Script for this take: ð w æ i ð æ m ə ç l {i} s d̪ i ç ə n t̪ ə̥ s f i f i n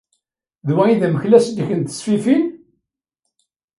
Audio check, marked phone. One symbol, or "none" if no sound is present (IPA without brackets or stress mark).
æ